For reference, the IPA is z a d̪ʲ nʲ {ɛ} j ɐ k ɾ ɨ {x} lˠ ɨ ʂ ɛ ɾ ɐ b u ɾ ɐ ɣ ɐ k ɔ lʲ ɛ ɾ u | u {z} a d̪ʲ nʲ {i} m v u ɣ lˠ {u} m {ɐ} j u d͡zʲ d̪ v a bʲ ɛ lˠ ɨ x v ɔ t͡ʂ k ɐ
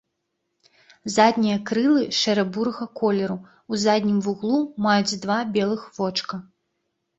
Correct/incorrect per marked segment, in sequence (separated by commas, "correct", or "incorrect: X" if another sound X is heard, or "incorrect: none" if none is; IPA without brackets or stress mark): incorrect: i, incorrect: none, correct, correct, correct, incorrect: a